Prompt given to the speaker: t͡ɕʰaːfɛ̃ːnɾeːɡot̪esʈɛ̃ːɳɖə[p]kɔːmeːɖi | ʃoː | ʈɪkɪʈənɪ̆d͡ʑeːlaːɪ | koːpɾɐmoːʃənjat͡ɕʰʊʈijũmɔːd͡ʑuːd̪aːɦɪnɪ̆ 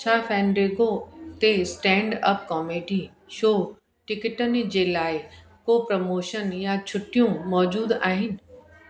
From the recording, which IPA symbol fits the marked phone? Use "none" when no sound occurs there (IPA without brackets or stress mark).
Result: p